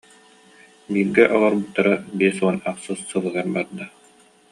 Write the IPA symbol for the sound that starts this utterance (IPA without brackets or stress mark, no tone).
b